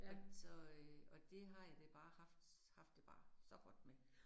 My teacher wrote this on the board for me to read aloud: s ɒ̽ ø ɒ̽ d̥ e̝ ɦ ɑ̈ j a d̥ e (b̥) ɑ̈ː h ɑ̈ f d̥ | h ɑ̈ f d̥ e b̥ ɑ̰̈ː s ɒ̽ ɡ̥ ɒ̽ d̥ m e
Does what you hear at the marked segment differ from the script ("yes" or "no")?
no